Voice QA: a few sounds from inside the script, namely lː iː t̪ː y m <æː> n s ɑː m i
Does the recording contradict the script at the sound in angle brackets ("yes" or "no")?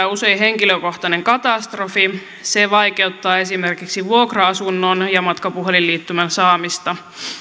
yes